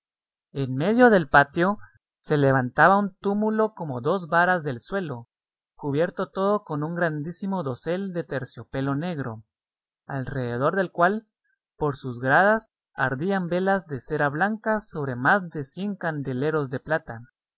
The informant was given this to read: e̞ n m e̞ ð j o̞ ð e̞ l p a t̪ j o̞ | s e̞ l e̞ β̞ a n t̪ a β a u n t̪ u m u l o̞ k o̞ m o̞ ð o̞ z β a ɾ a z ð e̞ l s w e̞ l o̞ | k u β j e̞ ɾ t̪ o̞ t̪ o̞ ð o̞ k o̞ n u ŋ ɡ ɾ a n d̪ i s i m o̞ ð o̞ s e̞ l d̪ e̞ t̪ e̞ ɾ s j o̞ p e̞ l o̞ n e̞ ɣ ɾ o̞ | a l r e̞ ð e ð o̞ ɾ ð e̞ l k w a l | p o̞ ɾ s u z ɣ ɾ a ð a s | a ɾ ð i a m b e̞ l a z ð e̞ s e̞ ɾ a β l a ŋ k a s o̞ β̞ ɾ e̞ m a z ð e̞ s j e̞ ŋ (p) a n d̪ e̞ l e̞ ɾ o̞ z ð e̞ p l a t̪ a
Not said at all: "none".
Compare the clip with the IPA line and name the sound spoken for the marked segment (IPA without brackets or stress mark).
k